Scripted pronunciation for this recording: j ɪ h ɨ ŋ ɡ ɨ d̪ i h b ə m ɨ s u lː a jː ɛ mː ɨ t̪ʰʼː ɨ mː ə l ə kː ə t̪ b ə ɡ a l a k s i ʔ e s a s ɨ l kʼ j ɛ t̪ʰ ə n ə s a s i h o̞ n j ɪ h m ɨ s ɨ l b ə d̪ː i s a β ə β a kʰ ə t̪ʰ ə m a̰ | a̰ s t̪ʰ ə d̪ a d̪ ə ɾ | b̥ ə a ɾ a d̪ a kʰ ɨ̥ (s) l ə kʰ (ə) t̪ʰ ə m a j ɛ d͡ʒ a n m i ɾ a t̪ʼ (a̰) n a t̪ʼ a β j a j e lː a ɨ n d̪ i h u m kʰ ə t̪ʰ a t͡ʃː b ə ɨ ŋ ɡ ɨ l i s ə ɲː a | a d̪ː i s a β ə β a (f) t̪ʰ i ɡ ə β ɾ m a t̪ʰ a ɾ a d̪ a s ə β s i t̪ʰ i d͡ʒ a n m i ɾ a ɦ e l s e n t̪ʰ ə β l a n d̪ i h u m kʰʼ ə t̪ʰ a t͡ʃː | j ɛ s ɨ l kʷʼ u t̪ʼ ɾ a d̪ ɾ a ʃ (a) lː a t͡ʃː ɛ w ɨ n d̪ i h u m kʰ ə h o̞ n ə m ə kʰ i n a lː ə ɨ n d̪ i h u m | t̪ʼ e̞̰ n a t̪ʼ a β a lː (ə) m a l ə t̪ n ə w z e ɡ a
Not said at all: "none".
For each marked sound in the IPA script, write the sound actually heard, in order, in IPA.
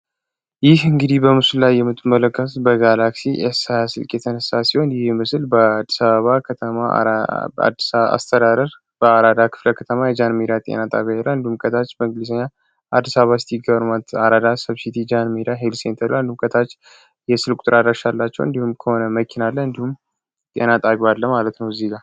f, ə, ḛ, s, a, ə

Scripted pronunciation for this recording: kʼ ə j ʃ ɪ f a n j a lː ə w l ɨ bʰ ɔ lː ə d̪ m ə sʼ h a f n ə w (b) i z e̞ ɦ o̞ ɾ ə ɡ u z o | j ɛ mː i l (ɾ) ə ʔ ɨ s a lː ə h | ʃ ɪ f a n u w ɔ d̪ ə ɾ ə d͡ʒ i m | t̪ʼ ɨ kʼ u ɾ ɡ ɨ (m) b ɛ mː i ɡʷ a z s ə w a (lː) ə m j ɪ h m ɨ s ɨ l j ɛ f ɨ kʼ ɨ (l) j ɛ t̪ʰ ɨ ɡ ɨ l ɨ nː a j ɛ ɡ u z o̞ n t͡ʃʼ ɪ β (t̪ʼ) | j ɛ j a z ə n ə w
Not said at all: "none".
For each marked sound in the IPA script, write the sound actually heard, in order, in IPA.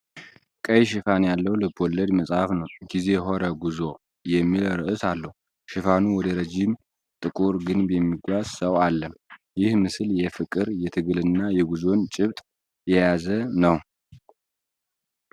ɡ, ɾ, n, lː, ɾ, t̪ʼ

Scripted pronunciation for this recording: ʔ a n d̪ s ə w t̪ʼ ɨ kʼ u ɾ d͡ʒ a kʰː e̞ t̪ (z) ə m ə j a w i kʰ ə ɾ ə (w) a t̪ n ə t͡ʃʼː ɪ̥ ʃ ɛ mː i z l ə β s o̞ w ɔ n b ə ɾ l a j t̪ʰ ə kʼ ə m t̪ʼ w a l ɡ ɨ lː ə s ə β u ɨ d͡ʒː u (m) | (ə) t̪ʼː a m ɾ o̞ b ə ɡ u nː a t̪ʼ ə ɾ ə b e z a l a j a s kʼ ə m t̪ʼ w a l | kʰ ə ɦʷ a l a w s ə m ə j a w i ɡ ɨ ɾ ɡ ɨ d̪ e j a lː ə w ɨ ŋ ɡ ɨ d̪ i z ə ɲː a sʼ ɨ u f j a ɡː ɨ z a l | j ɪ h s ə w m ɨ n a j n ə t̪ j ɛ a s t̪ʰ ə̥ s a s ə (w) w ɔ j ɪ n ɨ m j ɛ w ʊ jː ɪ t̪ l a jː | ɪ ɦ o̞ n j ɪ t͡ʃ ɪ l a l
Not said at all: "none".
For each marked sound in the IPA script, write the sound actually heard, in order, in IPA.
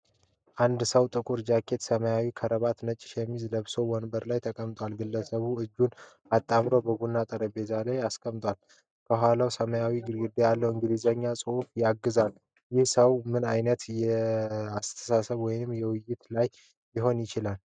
s, β, n, a, β

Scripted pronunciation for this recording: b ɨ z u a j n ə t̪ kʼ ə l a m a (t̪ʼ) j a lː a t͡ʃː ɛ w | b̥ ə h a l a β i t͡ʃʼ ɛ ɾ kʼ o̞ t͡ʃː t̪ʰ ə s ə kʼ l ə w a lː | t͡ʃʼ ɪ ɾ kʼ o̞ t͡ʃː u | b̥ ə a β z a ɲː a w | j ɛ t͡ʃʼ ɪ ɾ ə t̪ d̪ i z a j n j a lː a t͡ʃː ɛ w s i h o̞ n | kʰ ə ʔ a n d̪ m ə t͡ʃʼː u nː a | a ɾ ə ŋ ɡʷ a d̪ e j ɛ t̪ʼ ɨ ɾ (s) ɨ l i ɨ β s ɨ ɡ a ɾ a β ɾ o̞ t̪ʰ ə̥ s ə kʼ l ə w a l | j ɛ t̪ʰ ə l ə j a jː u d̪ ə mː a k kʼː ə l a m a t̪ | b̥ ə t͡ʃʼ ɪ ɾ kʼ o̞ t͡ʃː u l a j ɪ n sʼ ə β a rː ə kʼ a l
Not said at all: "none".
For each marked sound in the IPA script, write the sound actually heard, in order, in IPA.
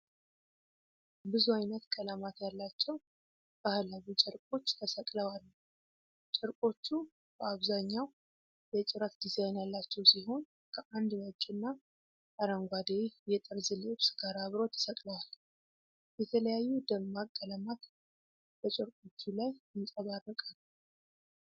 t̪, z

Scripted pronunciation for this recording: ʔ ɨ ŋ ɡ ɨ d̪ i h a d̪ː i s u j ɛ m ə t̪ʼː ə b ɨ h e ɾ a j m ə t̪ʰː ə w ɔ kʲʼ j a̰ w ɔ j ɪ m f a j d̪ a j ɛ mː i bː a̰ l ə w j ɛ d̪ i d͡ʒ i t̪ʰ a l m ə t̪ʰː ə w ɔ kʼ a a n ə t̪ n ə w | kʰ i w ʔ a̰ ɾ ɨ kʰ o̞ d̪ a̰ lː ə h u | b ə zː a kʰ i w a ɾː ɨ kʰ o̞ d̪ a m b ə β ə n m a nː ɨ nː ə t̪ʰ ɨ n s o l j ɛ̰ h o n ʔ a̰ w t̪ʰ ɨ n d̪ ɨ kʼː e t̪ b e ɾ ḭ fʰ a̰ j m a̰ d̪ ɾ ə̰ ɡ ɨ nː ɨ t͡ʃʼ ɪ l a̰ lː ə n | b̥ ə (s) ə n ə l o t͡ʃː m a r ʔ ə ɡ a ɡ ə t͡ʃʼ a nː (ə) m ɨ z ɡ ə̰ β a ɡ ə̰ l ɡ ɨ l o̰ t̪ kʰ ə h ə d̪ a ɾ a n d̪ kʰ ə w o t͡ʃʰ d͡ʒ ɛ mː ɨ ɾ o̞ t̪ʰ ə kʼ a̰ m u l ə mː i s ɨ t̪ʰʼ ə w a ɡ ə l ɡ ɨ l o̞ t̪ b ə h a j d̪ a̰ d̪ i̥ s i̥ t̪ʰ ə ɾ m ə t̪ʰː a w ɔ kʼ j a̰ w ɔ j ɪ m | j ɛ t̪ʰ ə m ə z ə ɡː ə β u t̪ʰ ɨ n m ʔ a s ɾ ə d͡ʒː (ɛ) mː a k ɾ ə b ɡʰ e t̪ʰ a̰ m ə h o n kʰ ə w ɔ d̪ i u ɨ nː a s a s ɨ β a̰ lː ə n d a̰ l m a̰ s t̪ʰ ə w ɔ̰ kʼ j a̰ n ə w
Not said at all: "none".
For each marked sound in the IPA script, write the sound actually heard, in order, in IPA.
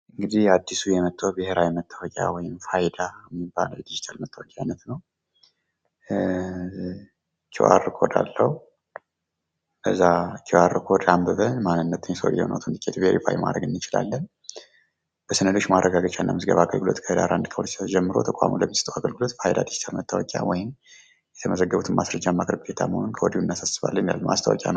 s, a, a

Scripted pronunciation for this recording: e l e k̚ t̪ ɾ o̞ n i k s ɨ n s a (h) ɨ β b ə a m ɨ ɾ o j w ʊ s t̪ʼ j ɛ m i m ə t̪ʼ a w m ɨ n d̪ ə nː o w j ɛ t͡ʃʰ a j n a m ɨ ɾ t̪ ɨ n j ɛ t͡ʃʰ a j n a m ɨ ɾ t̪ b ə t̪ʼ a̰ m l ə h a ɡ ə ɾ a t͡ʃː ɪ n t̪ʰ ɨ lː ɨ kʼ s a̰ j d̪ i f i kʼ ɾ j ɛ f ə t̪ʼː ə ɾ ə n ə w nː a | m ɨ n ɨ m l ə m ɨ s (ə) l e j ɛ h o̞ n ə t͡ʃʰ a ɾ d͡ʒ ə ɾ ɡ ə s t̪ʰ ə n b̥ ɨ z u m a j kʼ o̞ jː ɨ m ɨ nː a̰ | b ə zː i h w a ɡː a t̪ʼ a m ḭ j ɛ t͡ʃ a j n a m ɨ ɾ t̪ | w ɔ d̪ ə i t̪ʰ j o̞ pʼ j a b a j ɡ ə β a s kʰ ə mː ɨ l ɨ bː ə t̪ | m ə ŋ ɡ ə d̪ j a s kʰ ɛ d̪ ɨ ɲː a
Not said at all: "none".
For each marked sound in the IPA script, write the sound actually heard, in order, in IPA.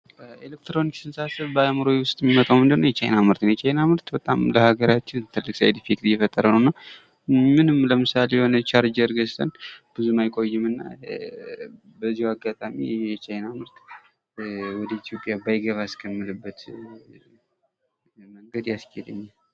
s, a

